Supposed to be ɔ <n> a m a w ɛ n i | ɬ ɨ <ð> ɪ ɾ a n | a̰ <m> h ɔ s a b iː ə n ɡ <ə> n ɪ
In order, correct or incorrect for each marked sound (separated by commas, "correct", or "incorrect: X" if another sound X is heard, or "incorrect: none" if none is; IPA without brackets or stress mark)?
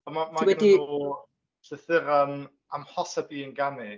incorrect: m, incorrect: θ, correct, incorrect: a